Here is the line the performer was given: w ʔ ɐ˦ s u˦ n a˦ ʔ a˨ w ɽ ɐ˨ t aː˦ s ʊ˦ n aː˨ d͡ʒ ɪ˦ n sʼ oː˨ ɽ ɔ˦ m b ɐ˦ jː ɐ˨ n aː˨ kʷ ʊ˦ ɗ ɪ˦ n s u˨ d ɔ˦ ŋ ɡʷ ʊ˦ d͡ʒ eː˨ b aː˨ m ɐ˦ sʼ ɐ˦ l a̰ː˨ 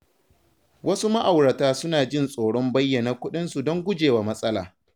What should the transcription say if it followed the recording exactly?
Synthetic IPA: w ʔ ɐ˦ s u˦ m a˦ ʔ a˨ w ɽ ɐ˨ t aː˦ s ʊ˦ n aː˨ d͡ʒ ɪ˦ n sʼ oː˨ ɽ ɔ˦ m b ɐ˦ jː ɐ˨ n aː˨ kʷ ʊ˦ ɗ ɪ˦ n s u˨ d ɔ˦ ŋ ɡʷ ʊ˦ d͡ʒ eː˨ w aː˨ m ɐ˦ sʼ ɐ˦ l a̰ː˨